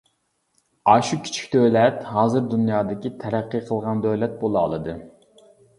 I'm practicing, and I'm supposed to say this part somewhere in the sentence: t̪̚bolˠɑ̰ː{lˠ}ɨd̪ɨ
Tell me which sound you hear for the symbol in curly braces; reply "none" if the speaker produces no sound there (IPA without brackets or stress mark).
lˠ